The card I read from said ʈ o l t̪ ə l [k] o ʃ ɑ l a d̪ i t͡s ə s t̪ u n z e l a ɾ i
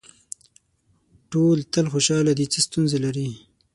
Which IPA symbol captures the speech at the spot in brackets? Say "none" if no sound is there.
x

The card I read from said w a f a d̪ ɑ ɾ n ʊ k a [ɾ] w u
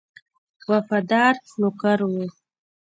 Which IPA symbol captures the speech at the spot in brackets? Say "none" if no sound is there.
ɾ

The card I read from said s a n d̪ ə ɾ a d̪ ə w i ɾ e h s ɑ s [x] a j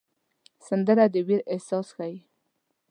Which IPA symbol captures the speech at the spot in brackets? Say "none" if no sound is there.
x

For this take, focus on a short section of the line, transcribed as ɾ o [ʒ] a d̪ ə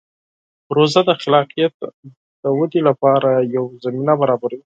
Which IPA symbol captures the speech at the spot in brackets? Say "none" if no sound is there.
z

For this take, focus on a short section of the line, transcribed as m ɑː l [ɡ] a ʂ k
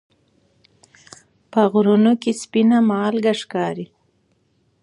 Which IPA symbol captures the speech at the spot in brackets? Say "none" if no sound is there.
ɡ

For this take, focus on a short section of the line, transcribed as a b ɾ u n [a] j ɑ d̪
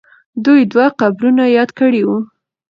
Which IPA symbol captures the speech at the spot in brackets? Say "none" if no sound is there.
a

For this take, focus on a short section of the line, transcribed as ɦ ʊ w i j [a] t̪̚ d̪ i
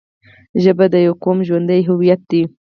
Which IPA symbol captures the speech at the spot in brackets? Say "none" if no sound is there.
a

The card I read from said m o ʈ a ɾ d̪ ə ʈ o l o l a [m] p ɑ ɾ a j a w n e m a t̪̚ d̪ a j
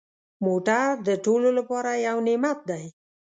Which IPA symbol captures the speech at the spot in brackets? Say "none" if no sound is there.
none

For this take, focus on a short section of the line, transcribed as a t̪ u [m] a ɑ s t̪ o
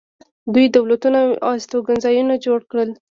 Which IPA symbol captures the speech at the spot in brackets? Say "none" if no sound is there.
n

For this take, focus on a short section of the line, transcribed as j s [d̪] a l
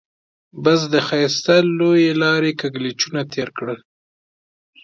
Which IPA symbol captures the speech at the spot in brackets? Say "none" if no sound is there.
t̪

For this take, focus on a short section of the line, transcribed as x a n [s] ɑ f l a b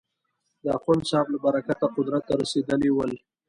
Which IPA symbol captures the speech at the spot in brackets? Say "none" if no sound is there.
s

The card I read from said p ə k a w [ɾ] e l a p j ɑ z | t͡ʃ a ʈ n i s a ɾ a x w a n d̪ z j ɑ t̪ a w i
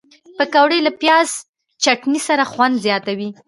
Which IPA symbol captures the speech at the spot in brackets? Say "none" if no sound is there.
ɽ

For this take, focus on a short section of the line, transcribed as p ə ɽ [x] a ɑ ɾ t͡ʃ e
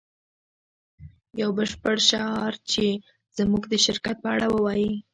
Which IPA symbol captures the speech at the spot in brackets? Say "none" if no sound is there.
ʃ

